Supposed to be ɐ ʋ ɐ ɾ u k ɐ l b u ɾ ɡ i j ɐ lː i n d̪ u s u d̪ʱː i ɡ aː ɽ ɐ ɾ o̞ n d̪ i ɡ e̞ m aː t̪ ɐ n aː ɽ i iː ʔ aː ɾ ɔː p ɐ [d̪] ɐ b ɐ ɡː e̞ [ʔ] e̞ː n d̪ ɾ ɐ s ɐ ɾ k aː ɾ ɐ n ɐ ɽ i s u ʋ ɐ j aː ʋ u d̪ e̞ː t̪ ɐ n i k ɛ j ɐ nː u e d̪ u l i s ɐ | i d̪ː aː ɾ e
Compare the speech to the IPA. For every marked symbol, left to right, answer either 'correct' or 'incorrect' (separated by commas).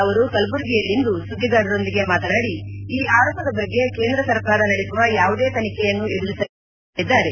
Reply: correct, incorrect